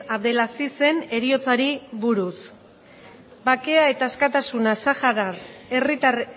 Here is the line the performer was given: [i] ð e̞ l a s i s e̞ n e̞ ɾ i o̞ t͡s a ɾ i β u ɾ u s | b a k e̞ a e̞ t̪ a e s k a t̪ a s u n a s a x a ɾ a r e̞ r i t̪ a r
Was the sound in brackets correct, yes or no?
no